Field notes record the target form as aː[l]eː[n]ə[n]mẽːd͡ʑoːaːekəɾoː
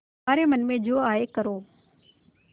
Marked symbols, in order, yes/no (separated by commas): no, no, yes